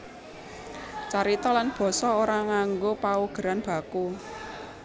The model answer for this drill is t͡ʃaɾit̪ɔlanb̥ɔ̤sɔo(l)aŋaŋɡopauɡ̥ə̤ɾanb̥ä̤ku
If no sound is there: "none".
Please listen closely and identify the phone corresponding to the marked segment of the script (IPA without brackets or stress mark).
ɾ